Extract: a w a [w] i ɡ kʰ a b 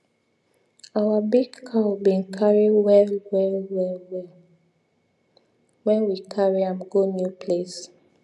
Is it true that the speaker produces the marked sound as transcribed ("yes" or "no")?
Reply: no